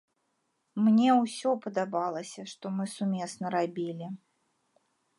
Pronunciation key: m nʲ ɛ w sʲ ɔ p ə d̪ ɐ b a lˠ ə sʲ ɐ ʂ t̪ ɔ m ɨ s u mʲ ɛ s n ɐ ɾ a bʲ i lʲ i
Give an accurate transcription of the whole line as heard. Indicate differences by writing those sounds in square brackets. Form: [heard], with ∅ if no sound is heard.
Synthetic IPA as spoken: m nʲ ɛ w sʲ ɔ p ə d̪ [a] b a lˠ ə sʲ ɐ ʂ t̪ ɔ m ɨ s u mʲ ɛ s n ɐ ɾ a bʲ i lʲ i